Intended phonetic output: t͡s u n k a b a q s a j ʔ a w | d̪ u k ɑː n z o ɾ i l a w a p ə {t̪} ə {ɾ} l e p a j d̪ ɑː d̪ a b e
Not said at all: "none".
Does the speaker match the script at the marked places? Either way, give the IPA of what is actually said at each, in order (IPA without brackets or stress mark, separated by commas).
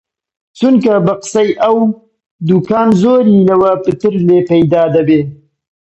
t̪, ɾ